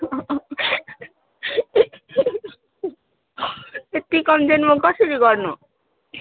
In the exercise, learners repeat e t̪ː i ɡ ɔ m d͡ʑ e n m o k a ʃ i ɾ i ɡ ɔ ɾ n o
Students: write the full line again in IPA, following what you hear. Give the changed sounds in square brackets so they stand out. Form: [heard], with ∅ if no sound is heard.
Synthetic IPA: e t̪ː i [k] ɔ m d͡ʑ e n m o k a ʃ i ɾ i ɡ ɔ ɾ n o